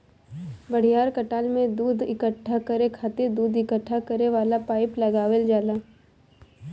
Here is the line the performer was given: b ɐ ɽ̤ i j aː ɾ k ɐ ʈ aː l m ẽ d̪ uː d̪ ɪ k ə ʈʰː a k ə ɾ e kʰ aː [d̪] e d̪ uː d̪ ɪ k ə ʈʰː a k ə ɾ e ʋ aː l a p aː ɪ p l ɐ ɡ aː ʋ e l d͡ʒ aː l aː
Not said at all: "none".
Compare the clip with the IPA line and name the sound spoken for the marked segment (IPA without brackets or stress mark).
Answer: t̪